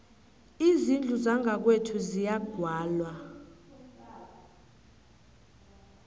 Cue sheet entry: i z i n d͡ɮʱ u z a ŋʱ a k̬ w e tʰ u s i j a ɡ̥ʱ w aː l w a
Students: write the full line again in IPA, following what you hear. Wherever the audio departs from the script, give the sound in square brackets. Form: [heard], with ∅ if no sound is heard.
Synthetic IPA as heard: i z i n d͡ɮʱ u z a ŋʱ a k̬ w e tʰ u [z] i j a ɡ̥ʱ w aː l w a